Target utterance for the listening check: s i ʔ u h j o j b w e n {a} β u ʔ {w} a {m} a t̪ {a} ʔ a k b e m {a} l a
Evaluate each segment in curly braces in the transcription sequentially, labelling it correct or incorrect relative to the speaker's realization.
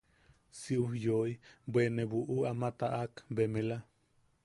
incorrect: e, incorrect: u, correct, correct, incorrect: e

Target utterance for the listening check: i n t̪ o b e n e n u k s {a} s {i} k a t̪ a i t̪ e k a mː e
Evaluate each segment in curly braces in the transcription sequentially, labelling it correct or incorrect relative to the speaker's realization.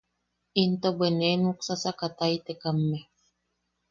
correct, incorrect: a

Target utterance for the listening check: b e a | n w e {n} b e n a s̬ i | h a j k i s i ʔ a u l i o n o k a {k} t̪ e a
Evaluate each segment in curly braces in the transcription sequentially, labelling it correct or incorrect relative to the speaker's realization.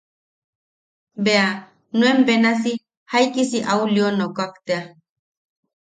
incorrect: m, correct

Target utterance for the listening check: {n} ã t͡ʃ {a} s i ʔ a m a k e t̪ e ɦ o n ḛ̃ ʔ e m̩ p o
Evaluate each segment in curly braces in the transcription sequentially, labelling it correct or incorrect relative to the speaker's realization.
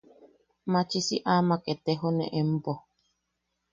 incorrect: m, incorrect: i

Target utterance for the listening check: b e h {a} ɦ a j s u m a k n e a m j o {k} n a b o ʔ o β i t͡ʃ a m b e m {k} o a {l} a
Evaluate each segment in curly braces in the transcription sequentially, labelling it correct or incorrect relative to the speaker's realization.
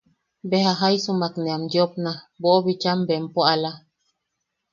correct, incorrect: p, incorrect: p, correct

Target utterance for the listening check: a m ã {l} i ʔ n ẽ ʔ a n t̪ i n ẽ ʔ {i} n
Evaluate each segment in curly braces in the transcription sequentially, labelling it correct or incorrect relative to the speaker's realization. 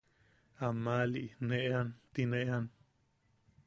correct, incorrect: a

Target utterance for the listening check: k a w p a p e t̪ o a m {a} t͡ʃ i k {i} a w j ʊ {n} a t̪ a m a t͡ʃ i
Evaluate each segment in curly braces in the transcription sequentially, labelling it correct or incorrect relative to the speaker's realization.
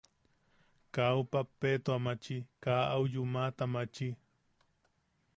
correct, incorrect: a, incorrect: m

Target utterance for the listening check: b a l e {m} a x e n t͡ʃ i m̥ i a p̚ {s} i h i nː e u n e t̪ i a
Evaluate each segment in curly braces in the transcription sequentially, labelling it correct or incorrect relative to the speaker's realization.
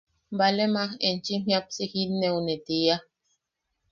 correct, correct

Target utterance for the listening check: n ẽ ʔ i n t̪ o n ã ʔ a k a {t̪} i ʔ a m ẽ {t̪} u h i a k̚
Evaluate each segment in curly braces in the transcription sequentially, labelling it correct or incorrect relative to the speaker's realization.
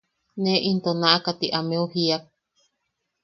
correct, incorrect: none

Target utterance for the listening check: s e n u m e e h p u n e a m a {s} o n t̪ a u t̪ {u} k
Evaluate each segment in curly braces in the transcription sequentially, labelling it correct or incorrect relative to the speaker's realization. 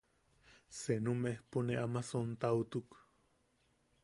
correct, correct

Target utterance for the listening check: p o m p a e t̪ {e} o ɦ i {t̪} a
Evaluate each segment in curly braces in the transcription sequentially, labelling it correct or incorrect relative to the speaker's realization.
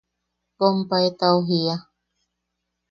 incorrect: a, incorrect: none

